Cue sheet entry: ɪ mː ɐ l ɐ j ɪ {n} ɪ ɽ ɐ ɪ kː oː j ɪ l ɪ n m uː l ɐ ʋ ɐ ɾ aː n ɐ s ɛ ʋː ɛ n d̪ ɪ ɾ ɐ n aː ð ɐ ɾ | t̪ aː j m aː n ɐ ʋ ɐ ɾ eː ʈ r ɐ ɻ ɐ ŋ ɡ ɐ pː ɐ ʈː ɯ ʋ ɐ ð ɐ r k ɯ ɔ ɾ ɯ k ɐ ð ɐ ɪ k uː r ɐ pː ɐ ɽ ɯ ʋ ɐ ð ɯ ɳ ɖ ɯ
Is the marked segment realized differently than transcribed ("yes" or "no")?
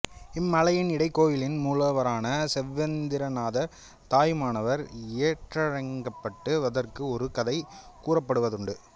no